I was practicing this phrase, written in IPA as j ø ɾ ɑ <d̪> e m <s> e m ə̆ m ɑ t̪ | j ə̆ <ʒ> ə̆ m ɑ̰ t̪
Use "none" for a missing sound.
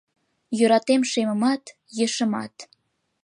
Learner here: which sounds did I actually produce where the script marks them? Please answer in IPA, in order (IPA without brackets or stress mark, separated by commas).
t̪, ʃ, ʃ